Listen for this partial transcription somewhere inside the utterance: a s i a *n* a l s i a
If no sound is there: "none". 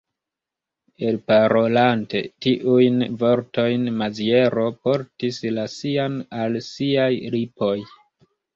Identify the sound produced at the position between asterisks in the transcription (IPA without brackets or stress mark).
n